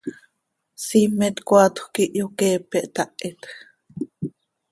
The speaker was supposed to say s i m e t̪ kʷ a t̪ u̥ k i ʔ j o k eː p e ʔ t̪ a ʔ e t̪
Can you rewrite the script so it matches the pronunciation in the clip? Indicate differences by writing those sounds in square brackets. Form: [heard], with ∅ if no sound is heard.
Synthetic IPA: s i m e t̪ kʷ a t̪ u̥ k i ʔ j o k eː p e ʔ t̪ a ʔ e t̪